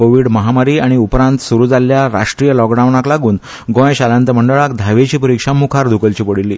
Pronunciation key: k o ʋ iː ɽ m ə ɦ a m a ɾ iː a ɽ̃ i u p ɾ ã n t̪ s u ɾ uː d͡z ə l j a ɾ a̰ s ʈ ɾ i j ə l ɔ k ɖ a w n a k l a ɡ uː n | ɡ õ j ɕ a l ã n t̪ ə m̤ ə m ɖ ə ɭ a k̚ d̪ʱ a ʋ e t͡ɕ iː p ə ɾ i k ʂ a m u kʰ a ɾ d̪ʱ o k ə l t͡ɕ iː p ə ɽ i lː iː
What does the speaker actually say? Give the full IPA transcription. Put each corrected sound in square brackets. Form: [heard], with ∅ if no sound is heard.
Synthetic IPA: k o ʋ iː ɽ m ə ɦ a m a ɾ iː a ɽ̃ i u p ɾ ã n t̪ s u ɾ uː d͡z [a] l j a ɾ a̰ [ʂ] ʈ ɾ i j ə l ɔ k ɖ a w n a k l a ɡ uː n | ɡ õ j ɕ a l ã n t̪ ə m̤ ə [ɳ] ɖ ə ɭ a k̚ d̪ʱ a ʋ e t͡ɕ iː p ə ɾ i k ʂ a m u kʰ a ɾ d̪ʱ [u] k ə l t͡ɕ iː p ə ɽ i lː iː